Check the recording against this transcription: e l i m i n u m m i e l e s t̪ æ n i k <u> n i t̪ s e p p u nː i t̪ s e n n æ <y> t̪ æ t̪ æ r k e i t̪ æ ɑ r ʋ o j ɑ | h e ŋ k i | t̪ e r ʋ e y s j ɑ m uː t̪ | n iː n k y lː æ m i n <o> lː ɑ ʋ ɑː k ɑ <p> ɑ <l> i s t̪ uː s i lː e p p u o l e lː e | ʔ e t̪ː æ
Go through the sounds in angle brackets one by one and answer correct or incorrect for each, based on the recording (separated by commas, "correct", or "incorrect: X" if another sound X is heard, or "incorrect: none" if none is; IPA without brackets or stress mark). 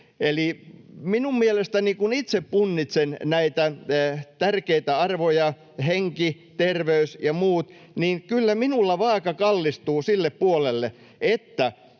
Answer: correct, incorrect: i, incorrect: u, incorrect: k, incorrect: lː